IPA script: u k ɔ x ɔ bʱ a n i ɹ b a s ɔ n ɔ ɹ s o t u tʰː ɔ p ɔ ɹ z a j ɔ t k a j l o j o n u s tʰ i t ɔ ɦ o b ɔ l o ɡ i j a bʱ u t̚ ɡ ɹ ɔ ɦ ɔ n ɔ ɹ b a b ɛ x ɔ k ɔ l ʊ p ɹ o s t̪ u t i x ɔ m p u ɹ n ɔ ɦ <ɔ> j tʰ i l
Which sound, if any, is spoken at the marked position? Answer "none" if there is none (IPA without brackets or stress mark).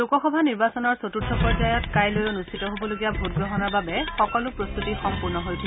o